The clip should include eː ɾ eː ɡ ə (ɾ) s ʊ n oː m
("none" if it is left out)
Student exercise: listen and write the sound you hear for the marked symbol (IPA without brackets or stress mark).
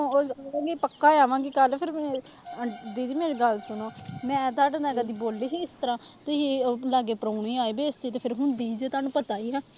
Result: l